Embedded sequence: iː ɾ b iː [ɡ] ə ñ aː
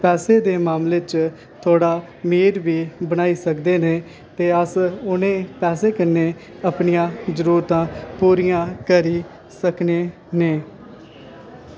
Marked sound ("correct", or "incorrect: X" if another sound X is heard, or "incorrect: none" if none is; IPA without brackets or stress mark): incorrect: b